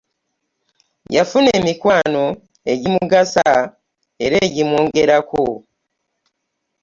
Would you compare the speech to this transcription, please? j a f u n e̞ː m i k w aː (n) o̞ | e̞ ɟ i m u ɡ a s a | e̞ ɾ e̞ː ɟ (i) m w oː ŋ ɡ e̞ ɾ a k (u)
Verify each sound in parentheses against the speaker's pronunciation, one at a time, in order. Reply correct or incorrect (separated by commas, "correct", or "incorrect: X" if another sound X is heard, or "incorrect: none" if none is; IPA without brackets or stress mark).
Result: correct, correct, incorrect: o